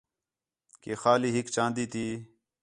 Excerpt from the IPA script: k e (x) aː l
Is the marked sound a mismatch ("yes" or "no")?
no